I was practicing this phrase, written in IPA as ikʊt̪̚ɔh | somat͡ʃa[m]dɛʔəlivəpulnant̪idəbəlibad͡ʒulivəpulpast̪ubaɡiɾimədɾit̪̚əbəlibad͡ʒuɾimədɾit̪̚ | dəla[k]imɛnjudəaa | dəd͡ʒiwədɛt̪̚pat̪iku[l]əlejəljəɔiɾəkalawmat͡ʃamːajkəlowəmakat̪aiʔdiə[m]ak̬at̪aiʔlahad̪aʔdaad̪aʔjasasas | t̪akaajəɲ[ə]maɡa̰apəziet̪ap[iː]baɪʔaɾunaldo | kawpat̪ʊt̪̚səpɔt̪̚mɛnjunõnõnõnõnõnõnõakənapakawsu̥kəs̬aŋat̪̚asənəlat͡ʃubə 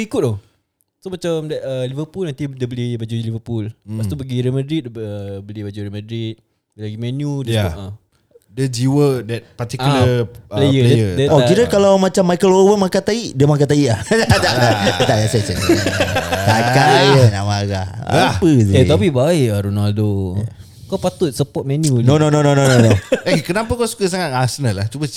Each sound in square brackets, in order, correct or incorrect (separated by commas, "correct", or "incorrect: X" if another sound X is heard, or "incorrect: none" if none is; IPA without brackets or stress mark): correct, incorrect: ɡ, correct, correct, incorrect: a, incorrect: i